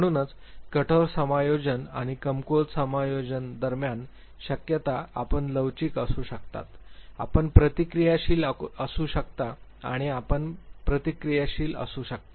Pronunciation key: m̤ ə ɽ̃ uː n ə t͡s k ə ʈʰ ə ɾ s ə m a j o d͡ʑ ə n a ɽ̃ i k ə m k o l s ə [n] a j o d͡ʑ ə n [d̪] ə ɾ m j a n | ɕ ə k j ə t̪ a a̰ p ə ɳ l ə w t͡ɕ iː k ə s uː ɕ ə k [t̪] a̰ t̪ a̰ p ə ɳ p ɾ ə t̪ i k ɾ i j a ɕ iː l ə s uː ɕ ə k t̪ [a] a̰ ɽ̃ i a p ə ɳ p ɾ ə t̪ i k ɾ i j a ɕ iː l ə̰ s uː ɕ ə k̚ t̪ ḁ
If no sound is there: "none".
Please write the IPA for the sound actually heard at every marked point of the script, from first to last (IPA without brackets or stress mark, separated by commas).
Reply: m, d̪, t̪, a